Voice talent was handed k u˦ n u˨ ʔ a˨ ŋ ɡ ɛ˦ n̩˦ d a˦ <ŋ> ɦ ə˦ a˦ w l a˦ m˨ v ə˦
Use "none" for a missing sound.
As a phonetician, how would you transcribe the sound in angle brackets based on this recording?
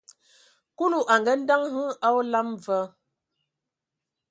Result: ŋ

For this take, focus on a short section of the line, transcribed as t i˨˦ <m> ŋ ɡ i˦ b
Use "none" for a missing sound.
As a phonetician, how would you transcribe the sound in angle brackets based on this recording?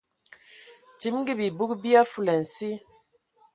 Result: m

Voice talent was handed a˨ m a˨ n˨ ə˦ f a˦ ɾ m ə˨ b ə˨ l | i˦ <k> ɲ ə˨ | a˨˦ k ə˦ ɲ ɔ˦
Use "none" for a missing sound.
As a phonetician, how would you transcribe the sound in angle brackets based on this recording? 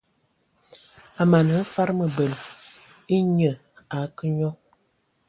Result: none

